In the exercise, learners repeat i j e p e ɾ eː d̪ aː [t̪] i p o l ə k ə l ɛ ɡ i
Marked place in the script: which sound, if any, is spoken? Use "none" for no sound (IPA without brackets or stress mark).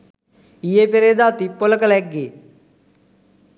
t̪